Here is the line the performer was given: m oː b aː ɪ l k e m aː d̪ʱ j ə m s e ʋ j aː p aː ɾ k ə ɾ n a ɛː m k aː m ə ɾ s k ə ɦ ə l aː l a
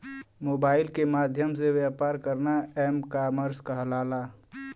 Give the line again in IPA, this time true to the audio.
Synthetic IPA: m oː b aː ɪ l k e m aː d̪ʱ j ə m s e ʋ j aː p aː ɾ k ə ɾ n a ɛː m k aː m ə ɾ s k a ɦ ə l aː l a